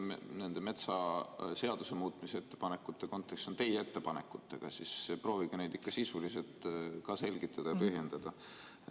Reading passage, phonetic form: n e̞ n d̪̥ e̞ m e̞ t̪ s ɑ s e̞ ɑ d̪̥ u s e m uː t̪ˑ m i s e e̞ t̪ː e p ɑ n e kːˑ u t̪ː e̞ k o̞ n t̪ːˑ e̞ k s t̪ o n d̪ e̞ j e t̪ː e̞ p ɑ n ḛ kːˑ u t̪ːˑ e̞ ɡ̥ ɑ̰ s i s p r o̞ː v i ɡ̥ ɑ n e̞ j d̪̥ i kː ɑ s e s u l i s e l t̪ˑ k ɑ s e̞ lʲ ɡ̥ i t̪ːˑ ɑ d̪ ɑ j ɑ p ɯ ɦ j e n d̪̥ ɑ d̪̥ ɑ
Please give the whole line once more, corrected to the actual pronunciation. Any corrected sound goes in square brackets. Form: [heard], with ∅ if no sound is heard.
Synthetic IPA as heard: n e̞ n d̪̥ e̞ m e̞ t̪ s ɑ s e̞ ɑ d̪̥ u s e m uː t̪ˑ m i s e e̞ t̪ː e p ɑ n e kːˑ u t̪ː e̞ k o̞ n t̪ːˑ e̞ k s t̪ o n [t̪] e̞ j e t̪ː e̞ p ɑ n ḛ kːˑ u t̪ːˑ e̞ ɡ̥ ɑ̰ s i s p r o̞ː v i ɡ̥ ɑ n e̞ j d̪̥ i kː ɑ s [i] s u l i s e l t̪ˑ k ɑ s e̞ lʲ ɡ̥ i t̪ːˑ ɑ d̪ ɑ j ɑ p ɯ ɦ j e n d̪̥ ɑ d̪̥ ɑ